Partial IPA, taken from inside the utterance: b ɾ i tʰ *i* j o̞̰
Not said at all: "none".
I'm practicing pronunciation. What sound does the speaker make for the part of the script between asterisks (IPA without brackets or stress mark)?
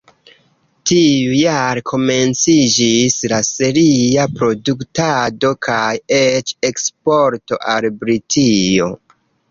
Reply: i